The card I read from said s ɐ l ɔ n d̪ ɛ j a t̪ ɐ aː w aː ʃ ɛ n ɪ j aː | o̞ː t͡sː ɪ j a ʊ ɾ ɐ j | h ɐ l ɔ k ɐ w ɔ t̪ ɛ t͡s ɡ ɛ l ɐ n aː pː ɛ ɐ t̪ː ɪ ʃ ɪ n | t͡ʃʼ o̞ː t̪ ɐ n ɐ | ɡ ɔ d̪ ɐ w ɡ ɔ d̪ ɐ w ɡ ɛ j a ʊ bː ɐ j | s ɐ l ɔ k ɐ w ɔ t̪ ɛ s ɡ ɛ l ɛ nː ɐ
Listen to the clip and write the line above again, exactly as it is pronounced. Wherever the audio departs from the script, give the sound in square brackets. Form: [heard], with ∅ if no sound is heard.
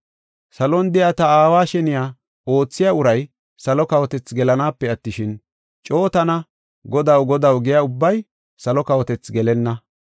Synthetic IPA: s ɐ l ɔ n d̪ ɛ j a t̪ ɐ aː w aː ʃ ɛ n ɪ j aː | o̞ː t͡sː ɪ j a ʊ ɾ ɐ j | [s] ɐ l ɔ k ɐ w ɔ t̪ ɛ t͡s ɡ ɛ l ɐ n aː pː ɛ ɐ t̪ː ɪ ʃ ɪ n | t͡ʃʼ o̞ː t̪ ɐ n ɐ | ɡ ɔ d̪ ɐ w ɡ ɔ d̪ ɐ w ɡ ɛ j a ʊ bː ɐ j | s ɐ l ɔ k ɐ w ɔ t̪ ɛ [t͡s] ɡ ɛ l ɛ nː ɐ